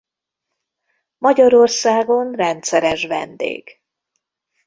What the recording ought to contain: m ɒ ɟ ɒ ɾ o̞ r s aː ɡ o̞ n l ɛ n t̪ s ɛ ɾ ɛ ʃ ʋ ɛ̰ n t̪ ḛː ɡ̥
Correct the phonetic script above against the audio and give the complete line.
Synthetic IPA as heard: m ɒ ɟ ɒ ɾ o̞ r s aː ɡ o̞ n r ɛ n t̪ s ɛ ɾ ɛ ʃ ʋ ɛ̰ n d̪ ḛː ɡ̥